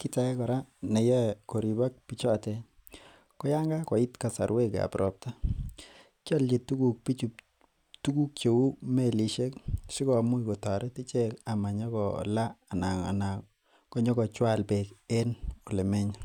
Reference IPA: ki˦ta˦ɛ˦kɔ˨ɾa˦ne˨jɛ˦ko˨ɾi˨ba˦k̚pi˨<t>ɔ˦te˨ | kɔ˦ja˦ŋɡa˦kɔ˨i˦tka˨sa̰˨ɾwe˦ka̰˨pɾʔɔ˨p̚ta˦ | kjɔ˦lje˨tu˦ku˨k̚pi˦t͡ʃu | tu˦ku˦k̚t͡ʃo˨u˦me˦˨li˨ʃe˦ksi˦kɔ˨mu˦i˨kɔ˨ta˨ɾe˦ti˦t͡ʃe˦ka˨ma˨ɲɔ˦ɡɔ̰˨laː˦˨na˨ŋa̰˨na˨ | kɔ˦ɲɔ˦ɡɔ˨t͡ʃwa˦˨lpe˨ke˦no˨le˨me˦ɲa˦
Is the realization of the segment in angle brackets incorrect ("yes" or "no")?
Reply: yes